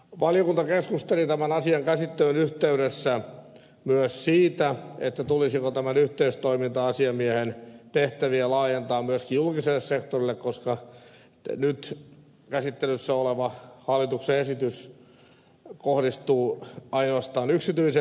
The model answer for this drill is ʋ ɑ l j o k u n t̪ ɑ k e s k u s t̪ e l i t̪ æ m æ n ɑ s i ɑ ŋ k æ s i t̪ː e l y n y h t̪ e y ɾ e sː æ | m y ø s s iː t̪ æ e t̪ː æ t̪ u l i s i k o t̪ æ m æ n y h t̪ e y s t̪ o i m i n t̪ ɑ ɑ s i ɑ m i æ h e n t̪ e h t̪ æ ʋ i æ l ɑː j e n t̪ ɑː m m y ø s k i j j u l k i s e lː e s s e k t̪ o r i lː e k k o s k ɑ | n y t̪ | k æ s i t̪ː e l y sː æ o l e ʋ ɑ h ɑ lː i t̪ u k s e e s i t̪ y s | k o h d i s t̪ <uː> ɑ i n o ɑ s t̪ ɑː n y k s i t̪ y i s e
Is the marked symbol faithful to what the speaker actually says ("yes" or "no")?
yes